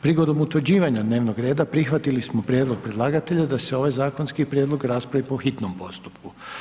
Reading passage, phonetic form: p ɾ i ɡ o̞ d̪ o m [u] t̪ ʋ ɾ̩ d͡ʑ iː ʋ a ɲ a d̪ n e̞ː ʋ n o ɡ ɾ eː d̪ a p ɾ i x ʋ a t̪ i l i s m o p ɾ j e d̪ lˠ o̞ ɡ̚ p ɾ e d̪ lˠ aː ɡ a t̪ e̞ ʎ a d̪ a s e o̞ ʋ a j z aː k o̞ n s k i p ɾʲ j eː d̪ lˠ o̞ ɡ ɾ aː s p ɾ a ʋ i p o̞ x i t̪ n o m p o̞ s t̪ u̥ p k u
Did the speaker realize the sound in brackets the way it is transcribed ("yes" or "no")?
yes